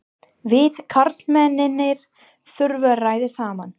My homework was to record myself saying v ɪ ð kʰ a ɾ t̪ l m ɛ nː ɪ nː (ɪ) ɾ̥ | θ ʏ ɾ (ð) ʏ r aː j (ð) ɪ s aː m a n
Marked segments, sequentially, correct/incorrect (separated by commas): correct, incorrect, correct